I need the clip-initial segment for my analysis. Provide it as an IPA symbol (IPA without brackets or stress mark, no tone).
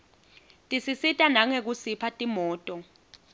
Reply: tʼ